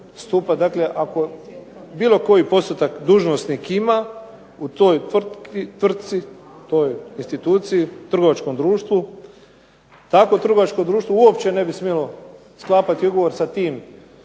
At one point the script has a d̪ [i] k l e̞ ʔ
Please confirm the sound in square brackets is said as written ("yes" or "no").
no